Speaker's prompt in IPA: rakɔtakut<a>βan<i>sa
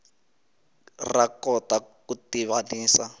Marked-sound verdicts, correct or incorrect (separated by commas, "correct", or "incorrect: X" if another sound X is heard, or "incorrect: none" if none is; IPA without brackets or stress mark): incorrect: i, incorrect: iː